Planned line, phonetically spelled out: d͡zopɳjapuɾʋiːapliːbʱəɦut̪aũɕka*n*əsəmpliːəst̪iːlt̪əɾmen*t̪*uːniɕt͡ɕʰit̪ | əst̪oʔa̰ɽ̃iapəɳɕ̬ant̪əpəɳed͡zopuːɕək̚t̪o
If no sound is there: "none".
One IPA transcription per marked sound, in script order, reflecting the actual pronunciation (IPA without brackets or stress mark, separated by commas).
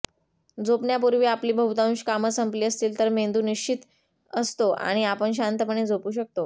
m, d̪